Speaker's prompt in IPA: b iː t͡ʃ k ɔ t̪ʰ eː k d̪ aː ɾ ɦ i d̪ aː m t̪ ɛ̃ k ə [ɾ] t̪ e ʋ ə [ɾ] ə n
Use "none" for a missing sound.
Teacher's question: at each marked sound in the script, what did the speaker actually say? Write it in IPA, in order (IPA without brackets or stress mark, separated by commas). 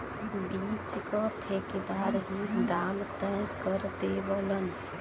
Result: ɾ, l